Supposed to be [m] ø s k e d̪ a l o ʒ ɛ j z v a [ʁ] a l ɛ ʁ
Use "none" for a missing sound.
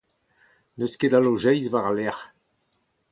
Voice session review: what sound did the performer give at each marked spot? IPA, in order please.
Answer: n, ʁ

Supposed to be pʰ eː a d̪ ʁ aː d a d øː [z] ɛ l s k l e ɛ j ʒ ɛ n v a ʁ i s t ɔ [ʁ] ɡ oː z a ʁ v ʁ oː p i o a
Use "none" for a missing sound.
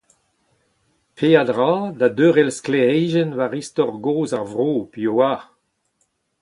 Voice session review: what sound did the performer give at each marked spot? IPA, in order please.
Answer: ʁ, ʁ

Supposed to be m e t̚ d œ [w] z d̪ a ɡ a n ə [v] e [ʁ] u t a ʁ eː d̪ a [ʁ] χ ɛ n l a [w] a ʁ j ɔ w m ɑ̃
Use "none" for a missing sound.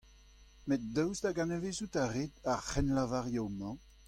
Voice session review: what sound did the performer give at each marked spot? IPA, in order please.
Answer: w, v, z, ʁ, v

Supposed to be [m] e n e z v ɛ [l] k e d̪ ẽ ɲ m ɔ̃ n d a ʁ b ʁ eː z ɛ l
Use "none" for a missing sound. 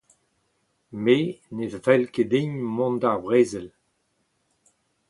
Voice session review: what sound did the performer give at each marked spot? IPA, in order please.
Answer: m, l

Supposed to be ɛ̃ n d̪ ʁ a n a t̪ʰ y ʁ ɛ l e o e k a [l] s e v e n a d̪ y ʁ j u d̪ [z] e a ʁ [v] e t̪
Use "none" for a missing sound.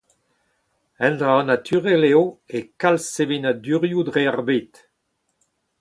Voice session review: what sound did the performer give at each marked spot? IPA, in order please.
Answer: l, ʁ, b

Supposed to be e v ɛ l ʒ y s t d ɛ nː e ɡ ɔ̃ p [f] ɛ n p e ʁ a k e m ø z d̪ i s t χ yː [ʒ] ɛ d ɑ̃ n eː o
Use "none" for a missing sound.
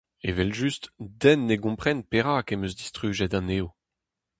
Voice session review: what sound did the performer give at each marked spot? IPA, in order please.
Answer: χ, ʒ

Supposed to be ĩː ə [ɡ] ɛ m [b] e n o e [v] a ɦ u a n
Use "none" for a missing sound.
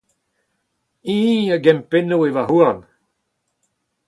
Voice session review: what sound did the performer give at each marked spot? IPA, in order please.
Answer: ɡ, p, v

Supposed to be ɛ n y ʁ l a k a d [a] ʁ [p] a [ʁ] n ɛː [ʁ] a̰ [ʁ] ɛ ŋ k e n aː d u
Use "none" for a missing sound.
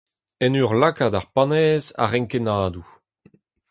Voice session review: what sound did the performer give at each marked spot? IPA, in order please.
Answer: a, p, none, z, ʁ

